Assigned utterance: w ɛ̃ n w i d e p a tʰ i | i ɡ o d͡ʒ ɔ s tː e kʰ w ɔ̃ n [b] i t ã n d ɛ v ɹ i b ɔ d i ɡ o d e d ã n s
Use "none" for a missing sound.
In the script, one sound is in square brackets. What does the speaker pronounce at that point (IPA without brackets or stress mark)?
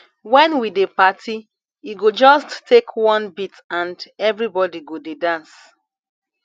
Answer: b